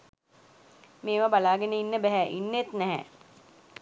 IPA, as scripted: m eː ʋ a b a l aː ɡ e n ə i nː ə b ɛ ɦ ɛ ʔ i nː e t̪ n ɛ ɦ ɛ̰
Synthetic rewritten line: m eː ʋ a b a l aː ɡ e n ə i nː ə b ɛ ɦ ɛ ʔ i nː e t̪ n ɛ ɦ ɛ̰